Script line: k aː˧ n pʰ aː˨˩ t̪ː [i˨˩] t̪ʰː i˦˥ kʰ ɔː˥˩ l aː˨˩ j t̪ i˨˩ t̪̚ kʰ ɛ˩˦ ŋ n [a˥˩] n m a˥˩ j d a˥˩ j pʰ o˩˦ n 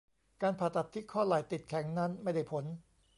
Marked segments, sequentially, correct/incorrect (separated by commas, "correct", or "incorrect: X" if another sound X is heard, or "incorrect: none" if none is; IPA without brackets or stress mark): incorrect: a˨˩, incorrect: a˦˥